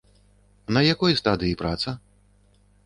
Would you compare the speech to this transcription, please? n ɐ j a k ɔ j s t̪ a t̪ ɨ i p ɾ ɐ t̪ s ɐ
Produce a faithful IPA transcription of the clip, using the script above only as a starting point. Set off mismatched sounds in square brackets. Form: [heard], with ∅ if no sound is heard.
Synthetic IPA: n ɐ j a k ɔ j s t̪ a [d̪] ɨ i p ɾ [a] t̪ s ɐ

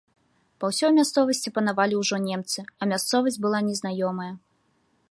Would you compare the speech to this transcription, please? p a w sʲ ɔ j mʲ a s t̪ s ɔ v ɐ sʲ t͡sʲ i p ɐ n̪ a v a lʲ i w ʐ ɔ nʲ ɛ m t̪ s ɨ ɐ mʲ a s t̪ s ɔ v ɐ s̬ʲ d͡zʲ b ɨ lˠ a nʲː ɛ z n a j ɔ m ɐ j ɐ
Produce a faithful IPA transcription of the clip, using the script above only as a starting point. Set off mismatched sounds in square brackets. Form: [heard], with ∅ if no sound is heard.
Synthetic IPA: p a w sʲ ɔ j mʲ a s t̪ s ɔ v ɐ sʲ t͡sʲ i p ɐ n̪ a v a lʲ i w ʐ ɔ nʲ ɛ m t̪ s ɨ ɐ mʲ a s t̪ s ɔ v ɐ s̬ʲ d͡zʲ b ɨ lˠ a [nʲ] ɛ z n a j ɔ m ɐ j ɐ

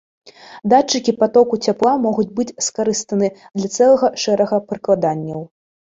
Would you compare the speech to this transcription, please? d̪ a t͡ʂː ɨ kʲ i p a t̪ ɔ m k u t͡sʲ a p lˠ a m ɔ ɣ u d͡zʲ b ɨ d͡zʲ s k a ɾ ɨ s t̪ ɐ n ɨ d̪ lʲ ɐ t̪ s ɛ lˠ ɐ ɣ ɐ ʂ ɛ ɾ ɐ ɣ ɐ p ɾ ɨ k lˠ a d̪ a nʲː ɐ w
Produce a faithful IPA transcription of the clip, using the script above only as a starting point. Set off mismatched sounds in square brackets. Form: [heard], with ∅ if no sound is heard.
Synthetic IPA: d̪ a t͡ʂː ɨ kʲ i p a t̪ ɔ [∅] k u t͡sʲ a p lˠ a m ɔ ɣ u d͡zʲ b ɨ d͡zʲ s k a ɾ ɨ s t̪ ɐ n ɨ d̪ lʲ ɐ t̪ s ɛ lˠ ɐ ɣ ɐ ʂ ɛ ɾ ɐ ɣ ɐ p ɾ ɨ k lˠ a d̪ a nʲː ɐ w

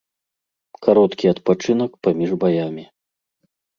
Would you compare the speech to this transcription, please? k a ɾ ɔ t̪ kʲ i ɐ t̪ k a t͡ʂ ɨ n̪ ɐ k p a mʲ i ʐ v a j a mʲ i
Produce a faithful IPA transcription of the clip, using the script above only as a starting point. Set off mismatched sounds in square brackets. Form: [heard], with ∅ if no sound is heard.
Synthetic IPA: k a ɾ ɔ t̪ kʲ i ɐ t̪ [p] a t͡ʂ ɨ n̪ ɐ k p a mʲ i ʐ [b] a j a mʲ i

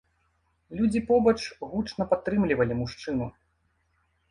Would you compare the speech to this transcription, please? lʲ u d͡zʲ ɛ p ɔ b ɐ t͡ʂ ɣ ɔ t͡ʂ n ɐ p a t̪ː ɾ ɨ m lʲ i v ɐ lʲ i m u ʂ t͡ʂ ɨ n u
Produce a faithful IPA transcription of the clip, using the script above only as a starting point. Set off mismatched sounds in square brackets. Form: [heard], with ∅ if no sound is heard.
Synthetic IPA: lʲ u d͡zʲ [i] p ɔ b ɐ t͡ʂ ɣ [u] t͡ʂ n ɐ p a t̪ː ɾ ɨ m lʲ i v ɐ lʲ i m u ʂ t͡ʂ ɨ n u

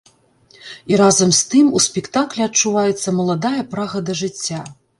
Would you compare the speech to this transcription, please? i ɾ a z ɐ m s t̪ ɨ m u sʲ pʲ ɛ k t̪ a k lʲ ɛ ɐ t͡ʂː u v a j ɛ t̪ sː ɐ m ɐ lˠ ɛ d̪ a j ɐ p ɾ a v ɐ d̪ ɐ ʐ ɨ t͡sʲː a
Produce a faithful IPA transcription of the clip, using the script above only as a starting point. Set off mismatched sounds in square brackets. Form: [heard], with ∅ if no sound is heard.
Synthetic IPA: i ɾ a z ɐ m s t̪ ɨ m u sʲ pʲ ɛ k t̪ a k lʲ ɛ ɐ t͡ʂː u v a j ɛ t̪ sː ɐ m ɐ lˠ [a] d̪ a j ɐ p ɾ a [ɣ] ɐ d̪ ɐ ʐ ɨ t͡sʲː a

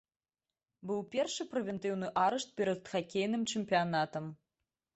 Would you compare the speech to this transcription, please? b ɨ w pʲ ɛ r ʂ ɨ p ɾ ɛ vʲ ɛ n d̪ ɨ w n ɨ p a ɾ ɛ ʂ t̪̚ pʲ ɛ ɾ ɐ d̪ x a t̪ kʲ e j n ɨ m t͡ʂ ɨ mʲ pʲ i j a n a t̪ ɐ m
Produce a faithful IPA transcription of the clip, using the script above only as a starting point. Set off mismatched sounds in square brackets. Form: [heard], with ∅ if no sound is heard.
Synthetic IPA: b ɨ w pʲ ɛ r ʂ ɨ p ɾ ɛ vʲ ɛ n [t̪] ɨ w n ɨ [ʔ] a ɾ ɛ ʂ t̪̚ pʲ ɛ ɾ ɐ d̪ x a [∅] kʲ e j n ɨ m t͡ʂ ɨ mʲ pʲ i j a n a t̪ ɐ m

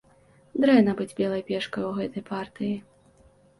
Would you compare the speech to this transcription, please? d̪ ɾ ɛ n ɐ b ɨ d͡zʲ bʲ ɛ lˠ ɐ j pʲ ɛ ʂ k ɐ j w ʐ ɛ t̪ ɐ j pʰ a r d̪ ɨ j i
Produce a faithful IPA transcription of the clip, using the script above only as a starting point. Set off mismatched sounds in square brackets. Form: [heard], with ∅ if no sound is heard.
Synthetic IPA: d̪ ɾ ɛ n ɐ b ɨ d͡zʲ bʲ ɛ lˠ ɐ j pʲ ɛ ʂ k ɐ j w [ɣ] ɛ t̪ ɐ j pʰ a r [t̪] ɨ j i

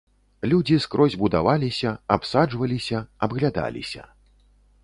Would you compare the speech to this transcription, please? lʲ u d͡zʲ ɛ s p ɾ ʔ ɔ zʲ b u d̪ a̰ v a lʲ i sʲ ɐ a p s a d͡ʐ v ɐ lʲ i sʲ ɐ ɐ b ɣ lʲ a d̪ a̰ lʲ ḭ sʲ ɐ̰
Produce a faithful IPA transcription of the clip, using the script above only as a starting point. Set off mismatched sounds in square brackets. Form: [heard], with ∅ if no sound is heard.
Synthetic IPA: lʲ u d͡zʲ [i] s [k] ɾ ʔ ɔ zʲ b u d̪ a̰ v a lʲ i sʲ ɐ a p s a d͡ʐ v ɐ lʲ i sʲ ɐ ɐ b ɣ lʲ a d̪ a̰ lʲ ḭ sʲ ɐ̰

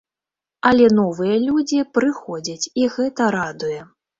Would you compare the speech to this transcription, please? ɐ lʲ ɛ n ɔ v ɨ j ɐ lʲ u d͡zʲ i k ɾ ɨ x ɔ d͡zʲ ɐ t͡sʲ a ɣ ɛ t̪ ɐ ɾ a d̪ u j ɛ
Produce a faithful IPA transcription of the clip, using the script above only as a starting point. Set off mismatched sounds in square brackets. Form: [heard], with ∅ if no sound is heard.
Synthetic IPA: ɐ lʲ ɛ n ɔ v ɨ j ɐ lʲ u d͡zʲ i [p] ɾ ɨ x ɔ d͡zʲ ɐ t͡sʲ [i] ɣ ɛ t̪ ɐ ɾ a d̪ u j ɛ

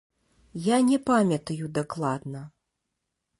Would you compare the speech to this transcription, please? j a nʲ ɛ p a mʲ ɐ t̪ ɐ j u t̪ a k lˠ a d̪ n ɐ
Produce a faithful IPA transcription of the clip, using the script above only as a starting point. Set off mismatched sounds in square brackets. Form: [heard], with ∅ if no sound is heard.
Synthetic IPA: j a nʲ ɛ p a mʲ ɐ t̪ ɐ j u [d̪] a k lˠ a d̪ n ɐ

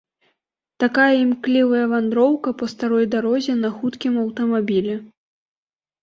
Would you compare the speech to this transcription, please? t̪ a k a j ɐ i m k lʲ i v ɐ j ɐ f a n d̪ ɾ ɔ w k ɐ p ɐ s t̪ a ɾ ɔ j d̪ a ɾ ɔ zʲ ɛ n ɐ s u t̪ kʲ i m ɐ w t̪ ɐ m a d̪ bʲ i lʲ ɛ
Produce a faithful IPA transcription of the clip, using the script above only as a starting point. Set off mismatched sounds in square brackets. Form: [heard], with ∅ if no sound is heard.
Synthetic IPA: t̪ a k a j ɐ i m k lʲ i v ɐ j ɐ [v] a n d̪ ɾ ɔ w k ɐ p ɐ s t̪ a ɾ ɔ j d̪ a ɾ ɔ zʲ ɛ n ɐ [x] u t̪ kʲ i m ɐ w t̪ ɐ m a [∅] bʲ i lʲ ɛ

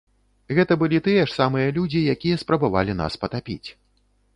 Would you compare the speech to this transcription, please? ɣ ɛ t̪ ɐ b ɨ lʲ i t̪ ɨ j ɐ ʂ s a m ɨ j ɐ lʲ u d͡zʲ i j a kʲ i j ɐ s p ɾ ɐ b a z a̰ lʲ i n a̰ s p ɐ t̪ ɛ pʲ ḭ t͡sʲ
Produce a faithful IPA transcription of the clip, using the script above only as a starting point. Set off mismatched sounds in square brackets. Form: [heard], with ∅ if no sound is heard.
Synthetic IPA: ɣ ɛ t̪ ɐ b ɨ lʲ i t̪ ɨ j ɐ ʂ s a m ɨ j ɐ lʲ u d͡zʲ i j a kʲ i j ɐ s p ɾ ɐ b a [v] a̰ lʲ i n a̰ s p ɐ t̪ [a] pʲ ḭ t͡sʲ

